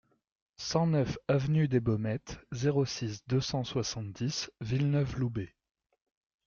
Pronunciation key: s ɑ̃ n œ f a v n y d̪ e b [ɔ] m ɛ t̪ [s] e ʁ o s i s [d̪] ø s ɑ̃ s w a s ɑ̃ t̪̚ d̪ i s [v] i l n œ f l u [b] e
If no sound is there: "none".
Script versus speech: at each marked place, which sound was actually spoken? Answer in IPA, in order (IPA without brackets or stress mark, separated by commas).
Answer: ɔ, z, d̪, v, b